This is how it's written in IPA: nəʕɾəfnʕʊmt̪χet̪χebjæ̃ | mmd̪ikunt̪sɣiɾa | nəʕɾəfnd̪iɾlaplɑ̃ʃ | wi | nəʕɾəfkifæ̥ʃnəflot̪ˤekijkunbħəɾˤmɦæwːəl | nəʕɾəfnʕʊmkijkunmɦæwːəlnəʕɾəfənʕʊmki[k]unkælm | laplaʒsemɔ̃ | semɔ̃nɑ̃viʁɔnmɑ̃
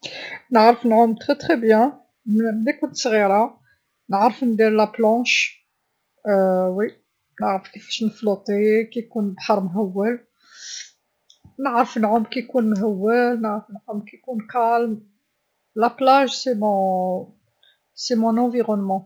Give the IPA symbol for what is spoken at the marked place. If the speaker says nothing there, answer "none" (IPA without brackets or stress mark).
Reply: k